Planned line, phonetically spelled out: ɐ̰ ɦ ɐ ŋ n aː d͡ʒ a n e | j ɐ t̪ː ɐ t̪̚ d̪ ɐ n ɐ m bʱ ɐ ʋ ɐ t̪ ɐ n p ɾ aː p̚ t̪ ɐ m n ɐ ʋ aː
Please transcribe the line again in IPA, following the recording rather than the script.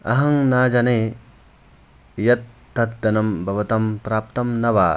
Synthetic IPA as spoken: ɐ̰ ɦ ɐ ŋ n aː d͡ʒ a n e | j ɐ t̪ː ɐ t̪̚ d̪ ɐ n ɐ m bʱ ɐ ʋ ɐ t̪ ɐ m p ɾ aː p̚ t̪ ɐ m n ɐ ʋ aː